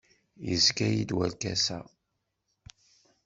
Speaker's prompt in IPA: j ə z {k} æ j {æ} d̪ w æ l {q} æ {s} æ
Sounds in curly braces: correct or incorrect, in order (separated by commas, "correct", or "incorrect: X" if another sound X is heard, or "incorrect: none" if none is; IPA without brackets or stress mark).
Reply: correct, incorrect: i, incorrect: k, correct